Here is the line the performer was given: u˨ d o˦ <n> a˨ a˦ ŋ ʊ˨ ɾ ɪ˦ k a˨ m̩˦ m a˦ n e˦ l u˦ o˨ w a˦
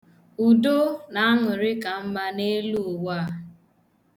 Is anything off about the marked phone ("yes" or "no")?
no